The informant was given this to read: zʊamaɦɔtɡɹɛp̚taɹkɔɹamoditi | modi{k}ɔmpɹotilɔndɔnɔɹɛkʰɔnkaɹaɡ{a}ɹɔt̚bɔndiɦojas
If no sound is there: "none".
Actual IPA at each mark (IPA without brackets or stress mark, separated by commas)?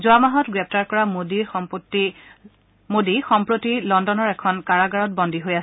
x, a